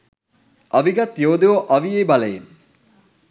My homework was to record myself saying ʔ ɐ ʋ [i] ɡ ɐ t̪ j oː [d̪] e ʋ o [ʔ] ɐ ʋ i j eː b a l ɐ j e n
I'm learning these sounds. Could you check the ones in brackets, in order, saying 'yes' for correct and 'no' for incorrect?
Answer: yes, yes, yes

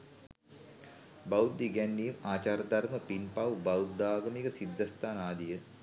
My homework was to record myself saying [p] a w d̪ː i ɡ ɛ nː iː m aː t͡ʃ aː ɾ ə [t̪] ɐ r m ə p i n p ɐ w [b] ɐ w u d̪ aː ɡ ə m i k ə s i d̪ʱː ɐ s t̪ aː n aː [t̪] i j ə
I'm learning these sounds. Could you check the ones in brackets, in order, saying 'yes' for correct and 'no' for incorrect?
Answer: no, no, yes, no

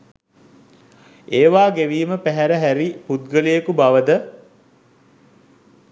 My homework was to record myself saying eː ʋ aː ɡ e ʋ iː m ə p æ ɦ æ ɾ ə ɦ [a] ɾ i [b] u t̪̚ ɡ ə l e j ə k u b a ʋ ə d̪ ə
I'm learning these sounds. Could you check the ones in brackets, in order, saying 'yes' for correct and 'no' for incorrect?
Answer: no, no

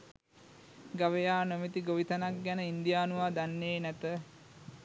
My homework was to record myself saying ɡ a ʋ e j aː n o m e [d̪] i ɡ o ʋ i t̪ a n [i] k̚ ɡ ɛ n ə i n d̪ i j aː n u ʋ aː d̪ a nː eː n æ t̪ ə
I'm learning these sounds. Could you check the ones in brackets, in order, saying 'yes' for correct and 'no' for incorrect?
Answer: no, no

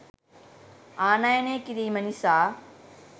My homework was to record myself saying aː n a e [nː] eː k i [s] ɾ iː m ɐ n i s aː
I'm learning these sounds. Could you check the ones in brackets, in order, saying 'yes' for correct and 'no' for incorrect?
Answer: no, no

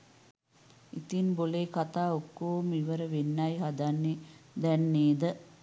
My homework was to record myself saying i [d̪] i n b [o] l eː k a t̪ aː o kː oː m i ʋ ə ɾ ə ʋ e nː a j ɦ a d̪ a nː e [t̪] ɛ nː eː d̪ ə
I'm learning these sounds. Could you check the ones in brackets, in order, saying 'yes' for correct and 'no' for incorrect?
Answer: no, yes, no

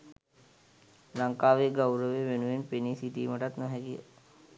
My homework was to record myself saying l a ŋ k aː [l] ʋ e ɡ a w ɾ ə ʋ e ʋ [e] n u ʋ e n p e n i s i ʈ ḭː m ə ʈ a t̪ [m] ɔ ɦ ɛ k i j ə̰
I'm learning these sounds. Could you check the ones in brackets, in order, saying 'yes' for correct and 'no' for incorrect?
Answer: no, yes, no

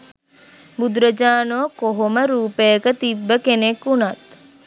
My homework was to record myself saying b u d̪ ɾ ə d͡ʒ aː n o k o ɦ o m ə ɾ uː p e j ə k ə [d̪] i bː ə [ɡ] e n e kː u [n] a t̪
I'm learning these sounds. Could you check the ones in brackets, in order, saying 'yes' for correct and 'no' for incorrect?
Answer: no, no, yes

